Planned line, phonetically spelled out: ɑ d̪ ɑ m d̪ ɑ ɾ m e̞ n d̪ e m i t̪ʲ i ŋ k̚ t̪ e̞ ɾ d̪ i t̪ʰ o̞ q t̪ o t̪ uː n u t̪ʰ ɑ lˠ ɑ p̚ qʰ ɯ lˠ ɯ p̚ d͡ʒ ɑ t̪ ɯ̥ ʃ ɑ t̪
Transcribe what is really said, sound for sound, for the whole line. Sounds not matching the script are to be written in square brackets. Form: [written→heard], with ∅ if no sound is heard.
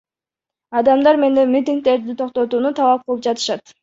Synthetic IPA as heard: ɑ d̪ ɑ m d̪ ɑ ɾ m e̞ n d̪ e m i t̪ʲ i ŋ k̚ t̪ e̞ ɾ d̪ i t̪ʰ o̞ q t̪ o t̪ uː n u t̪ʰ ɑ lˠ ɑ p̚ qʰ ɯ lˠ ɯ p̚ d͡ʒ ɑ t̪ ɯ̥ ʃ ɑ t̪